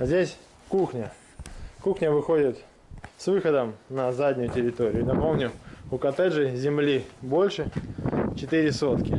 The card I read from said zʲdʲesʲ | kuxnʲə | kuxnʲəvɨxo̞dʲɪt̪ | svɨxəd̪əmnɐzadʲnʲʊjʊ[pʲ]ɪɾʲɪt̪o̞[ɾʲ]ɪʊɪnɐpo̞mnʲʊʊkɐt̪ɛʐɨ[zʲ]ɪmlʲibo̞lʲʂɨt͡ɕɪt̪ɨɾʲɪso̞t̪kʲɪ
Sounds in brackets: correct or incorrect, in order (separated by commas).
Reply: incorrect, correct, correct